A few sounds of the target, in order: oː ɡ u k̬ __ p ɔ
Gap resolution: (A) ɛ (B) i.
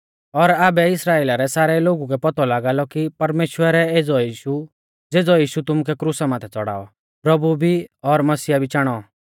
A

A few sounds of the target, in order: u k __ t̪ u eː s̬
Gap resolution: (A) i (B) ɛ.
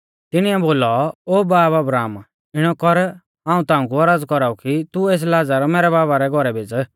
A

